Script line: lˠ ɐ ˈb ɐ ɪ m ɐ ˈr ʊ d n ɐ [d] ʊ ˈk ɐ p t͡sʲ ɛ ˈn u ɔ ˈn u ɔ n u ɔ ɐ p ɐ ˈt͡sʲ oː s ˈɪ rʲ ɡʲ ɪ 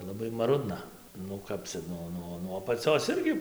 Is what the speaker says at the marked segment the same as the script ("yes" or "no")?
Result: no